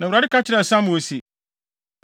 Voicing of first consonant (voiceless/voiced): voiced